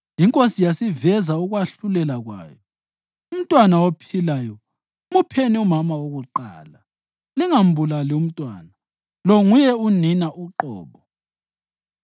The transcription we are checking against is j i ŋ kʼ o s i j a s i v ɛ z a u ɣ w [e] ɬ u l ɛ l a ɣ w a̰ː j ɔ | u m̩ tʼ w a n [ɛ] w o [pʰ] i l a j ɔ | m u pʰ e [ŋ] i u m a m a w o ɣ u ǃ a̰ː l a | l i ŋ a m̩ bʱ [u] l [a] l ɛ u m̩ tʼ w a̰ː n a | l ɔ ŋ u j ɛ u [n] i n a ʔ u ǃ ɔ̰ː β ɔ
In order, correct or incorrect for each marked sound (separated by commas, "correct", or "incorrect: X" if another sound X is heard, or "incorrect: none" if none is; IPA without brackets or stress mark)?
incorrect: a, incorrect: a, correct, incorrect: n, correct, correct, correct